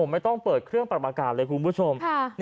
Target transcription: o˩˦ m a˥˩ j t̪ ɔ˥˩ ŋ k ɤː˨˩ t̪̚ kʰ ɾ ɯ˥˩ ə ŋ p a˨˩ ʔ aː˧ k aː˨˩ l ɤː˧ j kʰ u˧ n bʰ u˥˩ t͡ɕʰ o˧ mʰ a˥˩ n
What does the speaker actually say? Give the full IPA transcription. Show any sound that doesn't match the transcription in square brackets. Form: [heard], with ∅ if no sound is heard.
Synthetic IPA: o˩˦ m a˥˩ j t̪ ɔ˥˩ ŋ [p] ɤː˨˩ t̪̚ kʰ ɾ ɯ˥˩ ə ŋ p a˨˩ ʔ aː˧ k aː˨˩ l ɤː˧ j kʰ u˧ n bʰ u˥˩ t͡ɕʰ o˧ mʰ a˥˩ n